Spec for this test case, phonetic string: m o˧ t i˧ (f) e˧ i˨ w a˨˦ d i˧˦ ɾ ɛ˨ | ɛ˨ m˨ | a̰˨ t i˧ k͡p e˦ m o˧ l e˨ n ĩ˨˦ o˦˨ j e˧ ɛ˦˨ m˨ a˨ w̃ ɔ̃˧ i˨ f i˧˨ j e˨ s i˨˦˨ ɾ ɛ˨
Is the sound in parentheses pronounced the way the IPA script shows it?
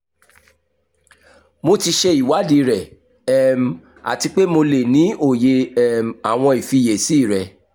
no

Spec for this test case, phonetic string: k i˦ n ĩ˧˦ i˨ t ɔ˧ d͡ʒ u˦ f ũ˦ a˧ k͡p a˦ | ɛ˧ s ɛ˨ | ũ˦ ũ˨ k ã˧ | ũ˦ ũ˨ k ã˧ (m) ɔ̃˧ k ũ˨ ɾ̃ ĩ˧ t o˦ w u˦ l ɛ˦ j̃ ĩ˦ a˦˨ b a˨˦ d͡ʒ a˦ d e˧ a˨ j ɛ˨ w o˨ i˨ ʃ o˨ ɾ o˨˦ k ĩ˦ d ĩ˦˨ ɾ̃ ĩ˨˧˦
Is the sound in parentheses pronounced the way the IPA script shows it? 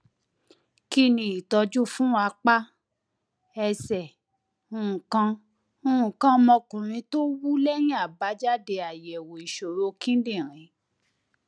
yes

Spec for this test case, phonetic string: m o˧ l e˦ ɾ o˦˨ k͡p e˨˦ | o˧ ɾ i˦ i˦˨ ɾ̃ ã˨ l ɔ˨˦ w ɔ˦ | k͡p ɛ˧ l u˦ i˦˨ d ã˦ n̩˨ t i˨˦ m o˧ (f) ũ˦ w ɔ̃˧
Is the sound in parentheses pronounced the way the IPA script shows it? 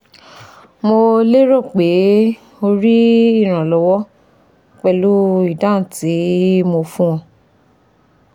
yes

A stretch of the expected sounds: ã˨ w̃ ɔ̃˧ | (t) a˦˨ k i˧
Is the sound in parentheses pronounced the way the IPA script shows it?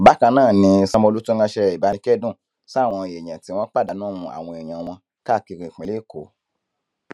no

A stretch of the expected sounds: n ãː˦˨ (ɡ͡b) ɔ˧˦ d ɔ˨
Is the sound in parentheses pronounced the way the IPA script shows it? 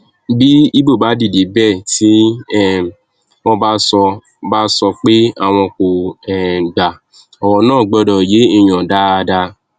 yes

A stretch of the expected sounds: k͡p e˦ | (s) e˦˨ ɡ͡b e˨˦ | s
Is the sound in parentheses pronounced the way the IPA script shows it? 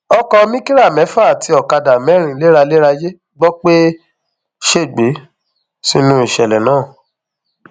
no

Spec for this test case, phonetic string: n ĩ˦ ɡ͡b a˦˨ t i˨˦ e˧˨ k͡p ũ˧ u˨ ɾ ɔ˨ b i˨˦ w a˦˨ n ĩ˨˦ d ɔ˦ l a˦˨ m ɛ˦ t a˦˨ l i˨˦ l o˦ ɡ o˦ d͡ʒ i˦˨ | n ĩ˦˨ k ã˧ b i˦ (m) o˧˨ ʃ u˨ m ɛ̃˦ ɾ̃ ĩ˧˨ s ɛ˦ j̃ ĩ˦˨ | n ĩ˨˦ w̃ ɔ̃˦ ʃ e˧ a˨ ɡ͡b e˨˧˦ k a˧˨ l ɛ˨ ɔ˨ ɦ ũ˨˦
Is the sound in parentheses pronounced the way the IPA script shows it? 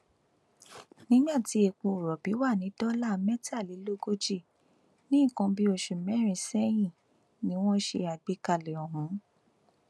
no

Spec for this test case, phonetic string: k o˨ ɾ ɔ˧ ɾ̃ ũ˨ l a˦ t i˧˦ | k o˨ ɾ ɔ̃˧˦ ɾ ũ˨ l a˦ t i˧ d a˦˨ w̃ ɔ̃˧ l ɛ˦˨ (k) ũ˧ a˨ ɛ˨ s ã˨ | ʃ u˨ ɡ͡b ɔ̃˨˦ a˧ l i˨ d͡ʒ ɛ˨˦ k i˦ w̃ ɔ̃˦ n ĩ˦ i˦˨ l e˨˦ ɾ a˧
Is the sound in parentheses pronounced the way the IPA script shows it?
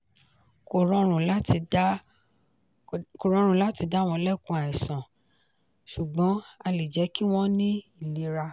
yes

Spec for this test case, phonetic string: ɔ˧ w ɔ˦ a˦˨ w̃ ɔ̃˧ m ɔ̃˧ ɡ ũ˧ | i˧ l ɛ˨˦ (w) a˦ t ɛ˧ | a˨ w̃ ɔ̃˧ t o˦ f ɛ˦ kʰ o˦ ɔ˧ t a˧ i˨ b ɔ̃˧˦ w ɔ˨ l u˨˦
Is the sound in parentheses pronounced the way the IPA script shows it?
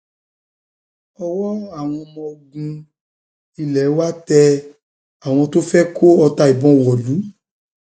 yes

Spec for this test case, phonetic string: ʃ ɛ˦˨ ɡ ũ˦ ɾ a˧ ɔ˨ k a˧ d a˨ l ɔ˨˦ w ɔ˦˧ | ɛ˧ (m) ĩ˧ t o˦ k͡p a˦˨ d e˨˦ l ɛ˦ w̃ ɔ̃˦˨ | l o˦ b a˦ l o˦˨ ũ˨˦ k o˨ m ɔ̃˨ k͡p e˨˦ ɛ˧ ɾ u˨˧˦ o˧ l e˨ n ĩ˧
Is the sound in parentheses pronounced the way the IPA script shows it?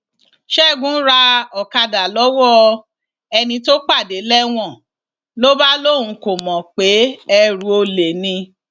no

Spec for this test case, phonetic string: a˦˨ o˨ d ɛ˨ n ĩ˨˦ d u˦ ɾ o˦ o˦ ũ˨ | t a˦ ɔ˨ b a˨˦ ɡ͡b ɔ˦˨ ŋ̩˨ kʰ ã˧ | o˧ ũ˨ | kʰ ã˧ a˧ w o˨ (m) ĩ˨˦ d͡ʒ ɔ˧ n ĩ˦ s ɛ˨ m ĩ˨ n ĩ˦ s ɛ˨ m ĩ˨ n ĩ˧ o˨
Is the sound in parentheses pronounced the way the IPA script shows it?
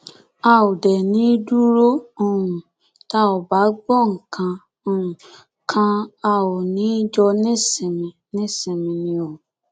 no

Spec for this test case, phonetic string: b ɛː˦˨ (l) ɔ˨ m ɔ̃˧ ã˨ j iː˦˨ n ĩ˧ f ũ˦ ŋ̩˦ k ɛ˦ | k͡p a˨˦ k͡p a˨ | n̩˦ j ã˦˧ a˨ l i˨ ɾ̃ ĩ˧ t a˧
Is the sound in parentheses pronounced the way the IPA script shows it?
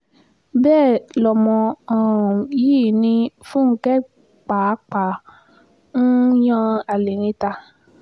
yes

